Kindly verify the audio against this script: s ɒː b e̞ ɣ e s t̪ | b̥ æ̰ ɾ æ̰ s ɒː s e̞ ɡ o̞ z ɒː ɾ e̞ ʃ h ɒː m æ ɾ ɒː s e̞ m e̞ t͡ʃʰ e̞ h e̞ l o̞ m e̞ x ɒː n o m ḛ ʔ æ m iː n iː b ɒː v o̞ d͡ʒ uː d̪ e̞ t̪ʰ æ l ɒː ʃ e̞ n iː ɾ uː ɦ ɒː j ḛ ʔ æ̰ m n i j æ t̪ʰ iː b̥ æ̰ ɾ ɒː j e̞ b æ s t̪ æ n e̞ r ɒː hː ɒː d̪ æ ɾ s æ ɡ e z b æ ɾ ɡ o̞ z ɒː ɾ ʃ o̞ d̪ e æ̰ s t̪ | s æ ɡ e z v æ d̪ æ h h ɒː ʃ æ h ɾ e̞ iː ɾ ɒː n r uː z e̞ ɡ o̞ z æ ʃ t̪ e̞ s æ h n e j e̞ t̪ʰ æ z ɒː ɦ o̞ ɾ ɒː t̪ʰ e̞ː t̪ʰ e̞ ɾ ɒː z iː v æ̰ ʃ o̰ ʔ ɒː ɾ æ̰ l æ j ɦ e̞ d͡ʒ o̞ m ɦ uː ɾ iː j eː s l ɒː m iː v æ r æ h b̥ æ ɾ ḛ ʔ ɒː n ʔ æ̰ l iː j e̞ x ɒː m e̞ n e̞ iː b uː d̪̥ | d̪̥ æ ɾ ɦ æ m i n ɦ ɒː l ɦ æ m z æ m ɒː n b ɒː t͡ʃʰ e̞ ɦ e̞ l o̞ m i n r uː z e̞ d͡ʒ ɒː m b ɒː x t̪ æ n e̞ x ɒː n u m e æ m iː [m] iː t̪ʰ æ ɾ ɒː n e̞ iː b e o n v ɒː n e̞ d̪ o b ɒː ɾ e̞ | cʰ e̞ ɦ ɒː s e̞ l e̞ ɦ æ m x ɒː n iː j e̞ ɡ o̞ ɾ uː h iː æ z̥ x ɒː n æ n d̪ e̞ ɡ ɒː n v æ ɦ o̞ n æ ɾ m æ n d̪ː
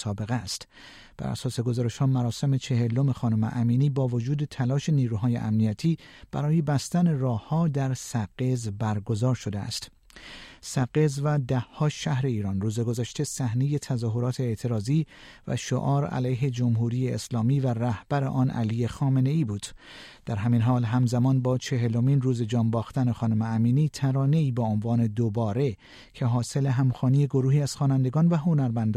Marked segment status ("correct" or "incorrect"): incorrect